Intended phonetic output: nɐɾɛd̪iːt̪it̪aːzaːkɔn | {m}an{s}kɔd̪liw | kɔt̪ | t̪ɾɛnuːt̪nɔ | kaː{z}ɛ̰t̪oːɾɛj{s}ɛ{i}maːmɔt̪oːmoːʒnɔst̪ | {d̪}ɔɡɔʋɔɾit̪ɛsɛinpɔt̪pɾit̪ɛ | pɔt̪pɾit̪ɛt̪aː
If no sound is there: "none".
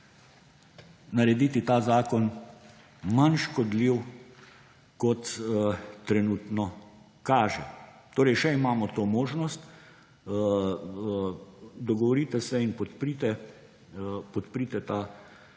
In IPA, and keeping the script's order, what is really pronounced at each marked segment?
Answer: m, ʃ, ʒ, ʃ, i, d̪

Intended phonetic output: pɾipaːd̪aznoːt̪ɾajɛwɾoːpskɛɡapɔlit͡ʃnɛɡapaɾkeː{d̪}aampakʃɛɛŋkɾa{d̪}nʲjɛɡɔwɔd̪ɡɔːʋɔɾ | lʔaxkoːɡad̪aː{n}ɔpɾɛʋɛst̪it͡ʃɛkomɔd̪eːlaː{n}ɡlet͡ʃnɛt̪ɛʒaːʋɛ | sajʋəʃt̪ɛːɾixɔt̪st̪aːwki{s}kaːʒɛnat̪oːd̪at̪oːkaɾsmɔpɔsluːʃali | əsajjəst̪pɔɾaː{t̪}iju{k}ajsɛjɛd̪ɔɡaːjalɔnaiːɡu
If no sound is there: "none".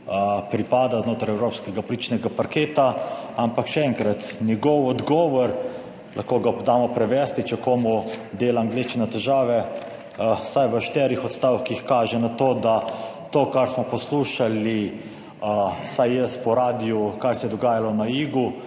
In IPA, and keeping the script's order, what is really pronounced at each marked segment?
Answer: t̪, t̪, m, ŋ, x, d̪, k

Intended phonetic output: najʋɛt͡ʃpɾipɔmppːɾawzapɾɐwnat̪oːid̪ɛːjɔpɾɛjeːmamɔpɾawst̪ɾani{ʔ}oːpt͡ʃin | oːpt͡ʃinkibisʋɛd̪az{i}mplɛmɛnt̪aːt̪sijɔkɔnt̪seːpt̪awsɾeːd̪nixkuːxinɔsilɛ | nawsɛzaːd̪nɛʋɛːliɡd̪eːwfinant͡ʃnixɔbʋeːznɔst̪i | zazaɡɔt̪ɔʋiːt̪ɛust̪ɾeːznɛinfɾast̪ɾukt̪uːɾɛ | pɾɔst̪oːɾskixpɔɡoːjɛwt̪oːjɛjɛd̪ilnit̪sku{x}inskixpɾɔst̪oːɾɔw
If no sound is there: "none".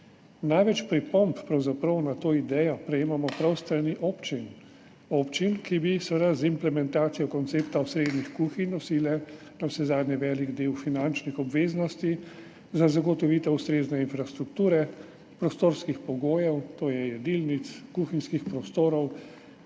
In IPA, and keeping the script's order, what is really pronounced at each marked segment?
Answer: ʔ, i, x

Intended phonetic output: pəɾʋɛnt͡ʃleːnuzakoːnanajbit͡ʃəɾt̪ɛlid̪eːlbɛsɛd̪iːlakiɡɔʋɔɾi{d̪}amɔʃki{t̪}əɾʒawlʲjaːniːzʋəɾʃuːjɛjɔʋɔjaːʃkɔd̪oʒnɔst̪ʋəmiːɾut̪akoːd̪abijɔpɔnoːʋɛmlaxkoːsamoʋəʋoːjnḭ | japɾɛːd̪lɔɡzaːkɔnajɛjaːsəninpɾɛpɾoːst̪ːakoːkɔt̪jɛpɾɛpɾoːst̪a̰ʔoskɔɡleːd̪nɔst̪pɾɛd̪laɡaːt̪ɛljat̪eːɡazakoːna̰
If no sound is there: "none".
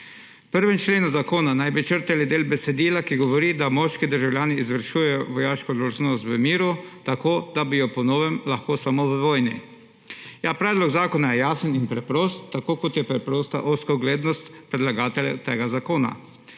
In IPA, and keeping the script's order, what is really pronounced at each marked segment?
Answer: d̪, d̪

